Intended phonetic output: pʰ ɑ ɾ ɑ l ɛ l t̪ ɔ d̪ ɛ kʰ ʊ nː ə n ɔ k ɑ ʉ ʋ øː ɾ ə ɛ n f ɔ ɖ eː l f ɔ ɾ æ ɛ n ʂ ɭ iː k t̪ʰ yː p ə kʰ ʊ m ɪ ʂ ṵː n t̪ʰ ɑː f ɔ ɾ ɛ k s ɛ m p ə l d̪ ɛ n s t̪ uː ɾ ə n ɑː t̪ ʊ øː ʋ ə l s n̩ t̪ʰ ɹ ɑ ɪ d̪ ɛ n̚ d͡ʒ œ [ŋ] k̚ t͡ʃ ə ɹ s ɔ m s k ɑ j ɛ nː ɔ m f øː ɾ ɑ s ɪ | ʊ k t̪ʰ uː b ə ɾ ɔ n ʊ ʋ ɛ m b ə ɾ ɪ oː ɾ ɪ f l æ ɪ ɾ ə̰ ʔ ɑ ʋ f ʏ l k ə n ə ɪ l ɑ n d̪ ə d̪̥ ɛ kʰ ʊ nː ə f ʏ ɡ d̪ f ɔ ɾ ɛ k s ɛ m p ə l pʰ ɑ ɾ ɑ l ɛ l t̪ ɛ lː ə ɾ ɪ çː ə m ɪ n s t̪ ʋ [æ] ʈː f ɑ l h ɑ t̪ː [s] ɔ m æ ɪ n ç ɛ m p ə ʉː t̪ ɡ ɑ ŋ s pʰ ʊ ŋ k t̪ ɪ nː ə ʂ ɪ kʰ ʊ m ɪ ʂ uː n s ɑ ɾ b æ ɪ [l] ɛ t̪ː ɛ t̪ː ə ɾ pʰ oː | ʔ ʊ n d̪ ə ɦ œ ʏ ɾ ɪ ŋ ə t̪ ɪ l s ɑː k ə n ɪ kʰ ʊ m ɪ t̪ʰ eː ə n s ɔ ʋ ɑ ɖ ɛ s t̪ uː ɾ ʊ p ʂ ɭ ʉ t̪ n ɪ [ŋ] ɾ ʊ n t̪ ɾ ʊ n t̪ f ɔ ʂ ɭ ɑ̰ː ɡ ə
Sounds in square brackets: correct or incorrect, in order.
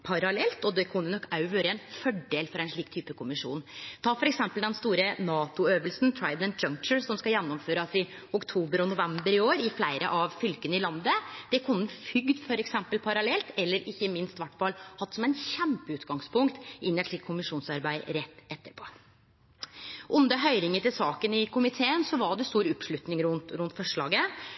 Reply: correct, correct, correct, incorrect: ɾ, correct

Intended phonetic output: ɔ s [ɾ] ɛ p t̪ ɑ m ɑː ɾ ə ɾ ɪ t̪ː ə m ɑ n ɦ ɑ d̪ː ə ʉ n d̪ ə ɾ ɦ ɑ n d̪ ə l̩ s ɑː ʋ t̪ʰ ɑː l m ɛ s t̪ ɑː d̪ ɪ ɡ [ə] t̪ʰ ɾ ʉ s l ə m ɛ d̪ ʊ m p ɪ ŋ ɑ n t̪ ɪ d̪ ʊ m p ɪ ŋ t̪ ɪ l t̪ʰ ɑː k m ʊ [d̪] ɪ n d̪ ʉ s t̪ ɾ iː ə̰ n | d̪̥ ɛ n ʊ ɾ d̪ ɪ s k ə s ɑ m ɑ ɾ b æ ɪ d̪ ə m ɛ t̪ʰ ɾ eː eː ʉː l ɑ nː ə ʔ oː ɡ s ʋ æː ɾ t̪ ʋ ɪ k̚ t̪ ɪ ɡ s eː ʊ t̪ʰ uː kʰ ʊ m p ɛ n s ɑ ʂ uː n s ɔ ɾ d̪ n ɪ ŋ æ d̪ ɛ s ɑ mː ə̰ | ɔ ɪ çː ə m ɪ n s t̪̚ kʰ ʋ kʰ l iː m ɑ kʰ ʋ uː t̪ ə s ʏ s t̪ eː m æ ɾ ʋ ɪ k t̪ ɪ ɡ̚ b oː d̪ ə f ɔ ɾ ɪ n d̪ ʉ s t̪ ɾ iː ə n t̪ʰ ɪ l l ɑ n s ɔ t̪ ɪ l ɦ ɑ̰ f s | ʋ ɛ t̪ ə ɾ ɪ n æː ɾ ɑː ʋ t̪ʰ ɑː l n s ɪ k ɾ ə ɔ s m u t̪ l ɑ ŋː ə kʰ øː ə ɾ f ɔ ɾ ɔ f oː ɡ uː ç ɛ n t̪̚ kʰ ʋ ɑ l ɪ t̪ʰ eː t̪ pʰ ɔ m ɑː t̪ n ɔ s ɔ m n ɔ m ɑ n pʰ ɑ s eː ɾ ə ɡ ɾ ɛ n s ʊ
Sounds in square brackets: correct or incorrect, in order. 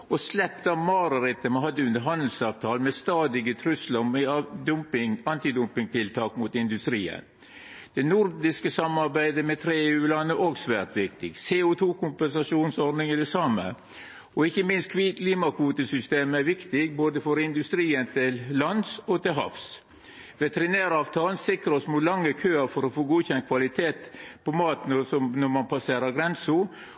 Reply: incorrect: l, correct, incorrect: t̪

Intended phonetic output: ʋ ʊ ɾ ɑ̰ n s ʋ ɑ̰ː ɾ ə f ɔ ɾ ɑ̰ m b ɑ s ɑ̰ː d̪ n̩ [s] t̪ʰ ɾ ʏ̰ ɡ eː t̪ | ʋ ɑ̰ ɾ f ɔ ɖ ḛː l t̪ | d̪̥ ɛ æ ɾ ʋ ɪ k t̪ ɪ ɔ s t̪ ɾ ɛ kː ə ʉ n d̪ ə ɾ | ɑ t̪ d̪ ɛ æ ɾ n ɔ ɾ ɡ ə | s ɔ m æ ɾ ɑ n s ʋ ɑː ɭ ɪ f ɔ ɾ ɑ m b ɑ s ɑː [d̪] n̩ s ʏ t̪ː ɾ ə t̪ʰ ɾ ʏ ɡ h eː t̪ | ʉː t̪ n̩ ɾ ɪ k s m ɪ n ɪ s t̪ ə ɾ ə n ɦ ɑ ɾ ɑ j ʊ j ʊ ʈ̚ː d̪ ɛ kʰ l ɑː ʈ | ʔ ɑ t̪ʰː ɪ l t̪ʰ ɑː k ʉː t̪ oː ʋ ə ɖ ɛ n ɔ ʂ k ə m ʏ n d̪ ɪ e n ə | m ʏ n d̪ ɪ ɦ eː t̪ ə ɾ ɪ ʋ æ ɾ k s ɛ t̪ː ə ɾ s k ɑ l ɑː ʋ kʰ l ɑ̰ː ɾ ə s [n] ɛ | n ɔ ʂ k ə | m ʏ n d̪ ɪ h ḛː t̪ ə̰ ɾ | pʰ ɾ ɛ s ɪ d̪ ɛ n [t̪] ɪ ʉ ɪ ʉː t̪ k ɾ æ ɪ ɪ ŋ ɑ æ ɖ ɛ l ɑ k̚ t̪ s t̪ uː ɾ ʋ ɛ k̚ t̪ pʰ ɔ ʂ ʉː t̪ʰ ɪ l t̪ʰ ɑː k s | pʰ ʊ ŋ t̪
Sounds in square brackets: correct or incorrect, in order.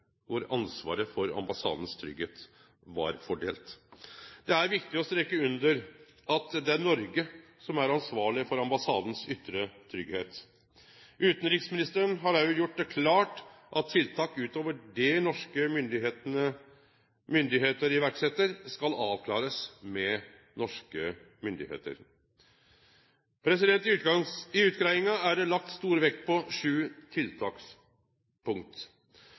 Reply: correct, correct, incorrect: m, correct

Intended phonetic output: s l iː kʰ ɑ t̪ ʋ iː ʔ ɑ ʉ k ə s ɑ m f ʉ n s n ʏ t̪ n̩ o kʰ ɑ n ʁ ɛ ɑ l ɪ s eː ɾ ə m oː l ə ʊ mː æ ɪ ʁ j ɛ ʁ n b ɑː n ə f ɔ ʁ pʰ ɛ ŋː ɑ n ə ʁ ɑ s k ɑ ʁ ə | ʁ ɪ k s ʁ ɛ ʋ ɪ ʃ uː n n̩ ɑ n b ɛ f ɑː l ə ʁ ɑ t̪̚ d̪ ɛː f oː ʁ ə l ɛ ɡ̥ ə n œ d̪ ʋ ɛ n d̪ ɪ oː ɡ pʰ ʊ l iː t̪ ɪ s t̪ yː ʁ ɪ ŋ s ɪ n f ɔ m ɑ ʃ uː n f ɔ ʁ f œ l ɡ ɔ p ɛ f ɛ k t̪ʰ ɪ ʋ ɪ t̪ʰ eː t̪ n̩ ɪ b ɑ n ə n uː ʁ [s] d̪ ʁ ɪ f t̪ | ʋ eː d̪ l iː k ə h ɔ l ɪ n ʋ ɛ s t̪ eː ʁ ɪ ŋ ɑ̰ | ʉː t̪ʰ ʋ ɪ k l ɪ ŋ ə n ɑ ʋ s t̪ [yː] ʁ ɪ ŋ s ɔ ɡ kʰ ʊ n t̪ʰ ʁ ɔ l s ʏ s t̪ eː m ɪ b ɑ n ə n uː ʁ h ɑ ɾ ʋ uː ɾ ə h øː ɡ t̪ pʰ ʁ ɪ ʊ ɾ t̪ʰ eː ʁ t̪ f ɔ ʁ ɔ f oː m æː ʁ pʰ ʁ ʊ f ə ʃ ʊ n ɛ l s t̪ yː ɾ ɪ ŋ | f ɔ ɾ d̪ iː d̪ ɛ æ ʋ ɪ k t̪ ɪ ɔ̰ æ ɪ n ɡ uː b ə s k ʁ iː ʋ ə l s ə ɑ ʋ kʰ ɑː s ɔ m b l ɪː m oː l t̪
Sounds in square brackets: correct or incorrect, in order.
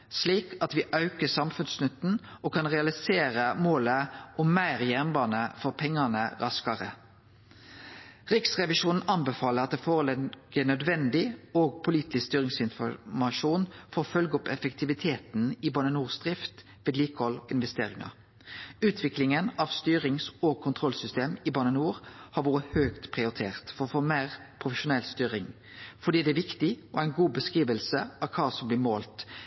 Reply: correct, correct

